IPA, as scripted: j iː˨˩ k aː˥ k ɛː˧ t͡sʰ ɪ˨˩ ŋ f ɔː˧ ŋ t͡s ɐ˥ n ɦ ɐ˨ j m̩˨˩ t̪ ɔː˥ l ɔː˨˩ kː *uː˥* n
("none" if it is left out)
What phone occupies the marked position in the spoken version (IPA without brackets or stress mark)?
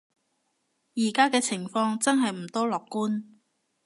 uː˥